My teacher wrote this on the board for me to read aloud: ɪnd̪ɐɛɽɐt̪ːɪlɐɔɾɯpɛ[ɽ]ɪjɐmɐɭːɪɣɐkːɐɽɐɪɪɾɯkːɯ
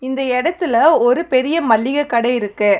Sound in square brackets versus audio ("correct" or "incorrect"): incorrect